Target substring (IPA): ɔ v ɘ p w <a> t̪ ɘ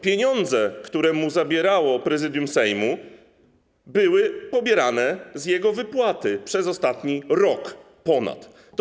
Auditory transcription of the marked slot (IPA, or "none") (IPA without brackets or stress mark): a